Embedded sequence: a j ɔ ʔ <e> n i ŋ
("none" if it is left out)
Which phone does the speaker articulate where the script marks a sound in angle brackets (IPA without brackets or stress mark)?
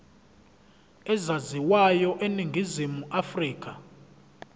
e